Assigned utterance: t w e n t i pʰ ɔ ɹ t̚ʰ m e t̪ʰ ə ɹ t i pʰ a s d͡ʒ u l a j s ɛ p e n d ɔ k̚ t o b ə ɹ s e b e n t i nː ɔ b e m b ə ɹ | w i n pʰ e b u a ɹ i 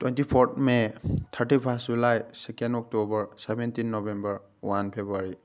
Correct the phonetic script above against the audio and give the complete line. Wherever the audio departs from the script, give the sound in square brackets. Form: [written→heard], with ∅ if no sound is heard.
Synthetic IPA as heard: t w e n t i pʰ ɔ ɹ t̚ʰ m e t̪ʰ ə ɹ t i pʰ a s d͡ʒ u l a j s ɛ [p→k] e n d ɔ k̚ t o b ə ɹ s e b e n t i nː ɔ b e m b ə ɹ | w [i→a] n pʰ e b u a ɹ i